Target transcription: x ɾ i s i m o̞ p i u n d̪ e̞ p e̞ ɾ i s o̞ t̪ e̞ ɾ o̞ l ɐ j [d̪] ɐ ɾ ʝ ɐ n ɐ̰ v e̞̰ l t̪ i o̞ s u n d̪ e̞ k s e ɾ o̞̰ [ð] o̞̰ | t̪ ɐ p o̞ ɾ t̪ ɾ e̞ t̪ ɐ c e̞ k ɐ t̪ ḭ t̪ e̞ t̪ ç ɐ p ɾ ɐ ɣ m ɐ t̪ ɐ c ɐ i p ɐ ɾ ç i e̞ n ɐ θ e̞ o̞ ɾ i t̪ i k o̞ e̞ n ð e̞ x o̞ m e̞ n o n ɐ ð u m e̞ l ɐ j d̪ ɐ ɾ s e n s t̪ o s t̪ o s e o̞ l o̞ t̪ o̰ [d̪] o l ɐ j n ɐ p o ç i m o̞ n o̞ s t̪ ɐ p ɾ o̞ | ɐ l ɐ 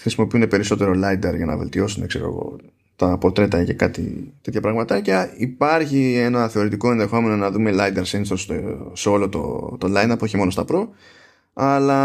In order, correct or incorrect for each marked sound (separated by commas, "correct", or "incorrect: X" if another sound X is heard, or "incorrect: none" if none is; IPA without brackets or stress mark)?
correct, incorrect: ɣ, incorrect: t̪